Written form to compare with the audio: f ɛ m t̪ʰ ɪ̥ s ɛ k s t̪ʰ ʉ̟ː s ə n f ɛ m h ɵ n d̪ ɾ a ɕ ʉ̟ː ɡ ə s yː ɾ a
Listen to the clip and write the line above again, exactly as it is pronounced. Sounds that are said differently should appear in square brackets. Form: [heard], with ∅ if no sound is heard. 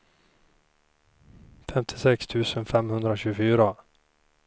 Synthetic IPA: f ɛ m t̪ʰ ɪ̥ s ɛ k s t̪ʰ ʉ̟ː s ə n f ɛ m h ɵ n d̪ ɾ a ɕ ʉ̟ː ɡ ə [f] yː ɾ a